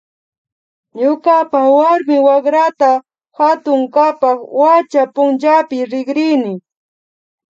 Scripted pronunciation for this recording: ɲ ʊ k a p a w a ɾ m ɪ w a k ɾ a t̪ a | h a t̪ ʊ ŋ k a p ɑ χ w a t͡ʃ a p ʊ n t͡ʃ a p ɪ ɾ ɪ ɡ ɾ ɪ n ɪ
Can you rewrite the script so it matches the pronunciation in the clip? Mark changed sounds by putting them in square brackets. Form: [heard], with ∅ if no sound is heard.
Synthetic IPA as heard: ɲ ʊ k a p a w a ɾ m ɪ w a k ɾ a t̪ a | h a t̪ ʊ ŋ k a p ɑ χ w a t͡ʃ a p ʊ n t͡ʃ a p ɪ ɾ ɪ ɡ ɾ ɪ n ɪ